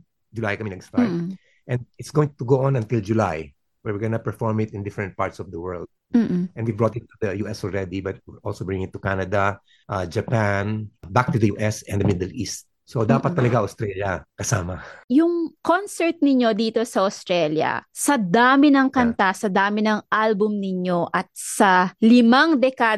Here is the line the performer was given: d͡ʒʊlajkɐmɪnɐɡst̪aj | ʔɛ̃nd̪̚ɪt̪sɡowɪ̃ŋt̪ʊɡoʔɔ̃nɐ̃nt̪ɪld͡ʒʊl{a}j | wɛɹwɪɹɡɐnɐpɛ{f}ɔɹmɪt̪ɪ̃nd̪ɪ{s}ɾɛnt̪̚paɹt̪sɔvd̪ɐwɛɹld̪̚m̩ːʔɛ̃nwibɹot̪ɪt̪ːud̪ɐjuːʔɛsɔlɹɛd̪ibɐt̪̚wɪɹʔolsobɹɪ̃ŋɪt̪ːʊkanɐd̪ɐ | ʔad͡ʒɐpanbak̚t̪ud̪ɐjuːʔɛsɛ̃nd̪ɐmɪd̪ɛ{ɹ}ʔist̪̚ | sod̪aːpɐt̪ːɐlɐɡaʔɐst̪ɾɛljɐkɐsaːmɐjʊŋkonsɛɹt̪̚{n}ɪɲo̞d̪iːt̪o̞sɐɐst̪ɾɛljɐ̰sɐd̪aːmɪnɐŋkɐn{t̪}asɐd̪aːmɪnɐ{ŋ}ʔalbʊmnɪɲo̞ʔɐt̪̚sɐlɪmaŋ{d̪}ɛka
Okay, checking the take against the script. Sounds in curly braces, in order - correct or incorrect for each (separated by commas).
correct, correct, incorrect, incorrect, correct, correct, correct, correct